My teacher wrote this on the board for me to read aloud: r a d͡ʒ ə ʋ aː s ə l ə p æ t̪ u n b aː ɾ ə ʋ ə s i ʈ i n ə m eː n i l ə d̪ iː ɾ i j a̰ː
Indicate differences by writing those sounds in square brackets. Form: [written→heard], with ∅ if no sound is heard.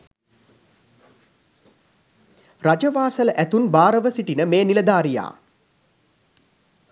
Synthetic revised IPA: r a d͡ʒ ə ʋ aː s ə l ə [p→ʔ] æ t̪ u n b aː ɾ ə ʋ ə s i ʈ i n ə m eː n i l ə d̪ [iː→aː] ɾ i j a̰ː

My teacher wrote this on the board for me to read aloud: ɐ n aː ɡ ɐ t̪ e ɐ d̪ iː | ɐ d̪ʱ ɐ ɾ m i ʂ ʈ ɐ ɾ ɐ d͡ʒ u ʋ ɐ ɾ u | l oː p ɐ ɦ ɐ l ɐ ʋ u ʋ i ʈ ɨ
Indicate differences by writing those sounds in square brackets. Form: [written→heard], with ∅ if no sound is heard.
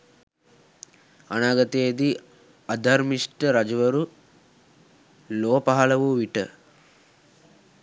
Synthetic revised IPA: ɐ n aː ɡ ɐ t̪ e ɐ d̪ [iː→i] | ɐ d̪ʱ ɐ ɾ m i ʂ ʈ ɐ ɾ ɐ d͡ʒ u ʋ ɐ ɾ u | l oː p ɐ ɦ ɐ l ɐ ʋ u ʋ i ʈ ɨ

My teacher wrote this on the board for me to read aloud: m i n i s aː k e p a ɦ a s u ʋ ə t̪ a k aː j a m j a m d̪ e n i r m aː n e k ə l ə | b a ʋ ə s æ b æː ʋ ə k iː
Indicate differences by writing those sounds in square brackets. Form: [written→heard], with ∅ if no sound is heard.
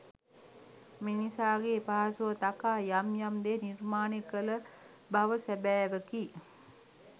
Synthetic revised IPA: m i n i s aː [k→ɡ] e p a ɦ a s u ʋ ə t̪ a k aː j a m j a m d̪ e n i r m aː n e k ə l ə | b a ʋ ə s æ b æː ʋ ə k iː

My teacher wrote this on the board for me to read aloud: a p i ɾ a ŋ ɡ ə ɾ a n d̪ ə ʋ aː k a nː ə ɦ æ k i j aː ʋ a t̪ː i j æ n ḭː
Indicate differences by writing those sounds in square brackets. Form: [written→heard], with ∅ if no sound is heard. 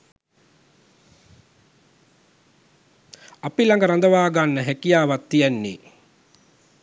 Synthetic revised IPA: a p i [ɾ→l] a ŋ ɡ ə ɾ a n d̪ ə ʋ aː [k→ɡ] a nː ə ɦ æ k i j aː ʋ a t̪ː i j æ [n→nː] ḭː

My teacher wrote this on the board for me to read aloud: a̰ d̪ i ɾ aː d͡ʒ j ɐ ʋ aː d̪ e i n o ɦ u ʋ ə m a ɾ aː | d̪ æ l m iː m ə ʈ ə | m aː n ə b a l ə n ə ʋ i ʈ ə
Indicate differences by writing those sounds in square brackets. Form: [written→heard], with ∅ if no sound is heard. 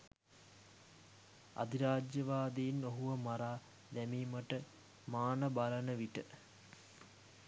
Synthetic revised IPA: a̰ d̪ i ɾ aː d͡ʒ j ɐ ʋ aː d̪ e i n o ɦ u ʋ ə m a ɾ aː | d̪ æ [l→∅] m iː m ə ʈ ə | m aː n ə b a l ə n ə ʋ i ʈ ə

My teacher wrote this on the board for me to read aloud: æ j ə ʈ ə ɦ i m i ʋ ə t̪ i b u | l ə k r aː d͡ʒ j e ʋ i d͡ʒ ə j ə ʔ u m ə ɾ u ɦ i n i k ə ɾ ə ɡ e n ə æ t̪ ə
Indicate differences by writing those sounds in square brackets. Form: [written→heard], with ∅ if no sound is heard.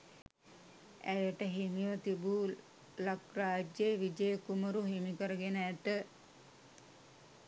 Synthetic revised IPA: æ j ə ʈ ə ɦ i m i ʋ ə t̪ i b u | l [ə→a] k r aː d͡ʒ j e ʋ i d͡ʒ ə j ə [ʔ→k] u m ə ɾ u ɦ i [n→m] i k ə ɾ ə ɡ e n ə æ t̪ ə

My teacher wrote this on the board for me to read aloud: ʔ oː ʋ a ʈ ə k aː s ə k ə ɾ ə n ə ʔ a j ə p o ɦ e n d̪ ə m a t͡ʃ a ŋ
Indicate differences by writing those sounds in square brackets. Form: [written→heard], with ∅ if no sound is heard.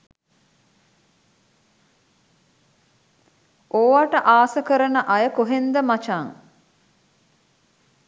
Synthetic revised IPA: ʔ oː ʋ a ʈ ə [k→ʔ] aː s ə k ə ɾ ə n ə ʔ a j ə [p→k] o ɦ e n d̪ ə m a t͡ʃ a ŋ

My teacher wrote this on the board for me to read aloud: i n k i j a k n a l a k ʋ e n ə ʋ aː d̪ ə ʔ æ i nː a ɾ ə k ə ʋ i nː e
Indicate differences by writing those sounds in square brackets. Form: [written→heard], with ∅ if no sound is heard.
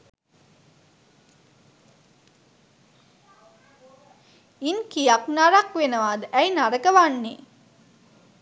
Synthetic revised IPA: i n k i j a k n a [l→ɾ] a k ʋ e n ə ʋ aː d̪ ə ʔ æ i [nː→n] a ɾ ə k ə ʋ [i→a] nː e

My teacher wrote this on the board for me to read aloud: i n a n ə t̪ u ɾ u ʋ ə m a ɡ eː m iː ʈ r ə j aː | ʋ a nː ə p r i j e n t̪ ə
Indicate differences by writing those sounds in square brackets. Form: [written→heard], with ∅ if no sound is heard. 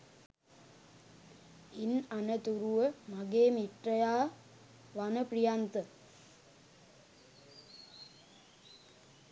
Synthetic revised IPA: i n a n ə t̪ u ɾ u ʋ ə m a ɡ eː m [iː→i] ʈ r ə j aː | ʋ a [nː→n] ə p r i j [e→a] n t̪ ə

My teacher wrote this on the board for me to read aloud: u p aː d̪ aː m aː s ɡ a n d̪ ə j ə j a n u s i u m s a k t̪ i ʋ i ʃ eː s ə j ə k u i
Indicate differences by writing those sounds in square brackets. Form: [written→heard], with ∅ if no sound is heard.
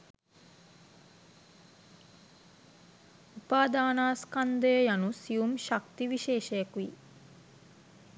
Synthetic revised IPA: u p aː d̪ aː [m→n] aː s [ɡ→k] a n d̪ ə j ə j a n u s i u m [s→ʃ] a k t̪ i ʋ i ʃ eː [s→ʃ] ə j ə k u i

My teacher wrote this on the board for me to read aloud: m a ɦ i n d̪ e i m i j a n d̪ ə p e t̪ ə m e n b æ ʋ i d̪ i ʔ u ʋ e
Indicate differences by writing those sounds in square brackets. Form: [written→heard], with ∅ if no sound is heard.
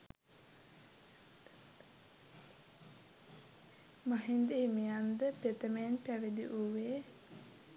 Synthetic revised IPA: m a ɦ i n d̪ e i m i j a n d̪ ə p e t̪ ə m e n [b→p] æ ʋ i d̪ i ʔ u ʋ e

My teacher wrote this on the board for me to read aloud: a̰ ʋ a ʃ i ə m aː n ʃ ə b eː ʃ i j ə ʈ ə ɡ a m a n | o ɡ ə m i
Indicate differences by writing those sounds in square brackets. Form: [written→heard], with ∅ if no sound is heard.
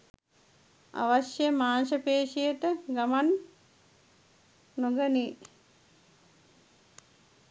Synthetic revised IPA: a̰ ʋ a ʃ [i→j] ə m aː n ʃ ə [b→p] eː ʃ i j ə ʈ ə ɡ a m a n | o ɡ ə [m→n] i

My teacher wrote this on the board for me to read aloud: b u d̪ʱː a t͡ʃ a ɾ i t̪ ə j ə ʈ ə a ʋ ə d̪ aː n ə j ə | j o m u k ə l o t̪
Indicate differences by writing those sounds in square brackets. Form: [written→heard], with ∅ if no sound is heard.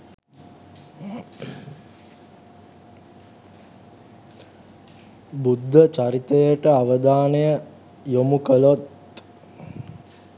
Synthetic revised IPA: b u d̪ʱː [a→ə] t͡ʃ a ɾ i t̪ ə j ə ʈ ə a ʋ ə d̪ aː n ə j ə | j o m u k ə l o t̪

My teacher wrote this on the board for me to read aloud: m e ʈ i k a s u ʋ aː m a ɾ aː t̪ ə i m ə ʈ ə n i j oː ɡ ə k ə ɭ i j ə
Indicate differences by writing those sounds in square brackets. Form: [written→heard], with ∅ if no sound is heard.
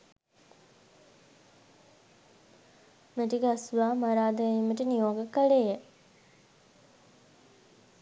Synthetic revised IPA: m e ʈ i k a s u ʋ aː m a ɾ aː [t̪→d̪] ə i m ə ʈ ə n i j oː ɡ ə k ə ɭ [i→e] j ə

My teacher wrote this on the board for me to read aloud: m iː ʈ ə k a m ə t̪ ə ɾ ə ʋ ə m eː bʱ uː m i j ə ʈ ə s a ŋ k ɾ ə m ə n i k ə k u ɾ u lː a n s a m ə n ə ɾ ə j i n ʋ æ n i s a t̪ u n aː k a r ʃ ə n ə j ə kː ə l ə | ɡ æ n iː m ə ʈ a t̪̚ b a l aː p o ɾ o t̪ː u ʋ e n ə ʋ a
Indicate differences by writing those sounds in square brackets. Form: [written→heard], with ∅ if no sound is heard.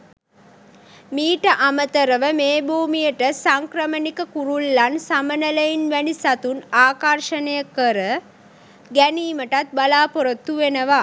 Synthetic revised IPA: m iː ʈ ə [k→ʔ] a m ə t̪ ə ɾ ə ʋ ə m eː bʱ uː m i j ə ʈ ə s a ŋ k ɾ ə m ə n i k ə k u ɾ u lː a n s a m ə n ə [ɾ→l] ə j i n ʋ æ n i s a t̪ u n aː k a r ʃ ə n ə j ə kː ə [l→ɾ] ə | ɡ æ n iː m ə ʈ a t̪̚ b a l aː p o ɾ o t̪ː u ʋ e n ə ʋ a

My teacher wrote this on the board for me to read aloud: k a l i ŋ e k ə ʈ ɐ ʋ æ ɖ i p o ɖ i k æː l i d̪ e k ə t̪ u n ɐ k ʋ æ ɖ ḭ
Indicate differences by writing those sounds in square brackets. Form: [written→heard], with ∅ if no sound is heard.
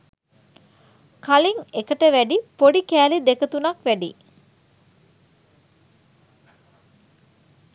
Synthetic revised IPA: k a l i ŋ e k ə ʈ [ɐ→ə] ʋ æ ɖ i p o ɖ i k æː l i d̪ e k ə t̪ u n ɐ k ʋ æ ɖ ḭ

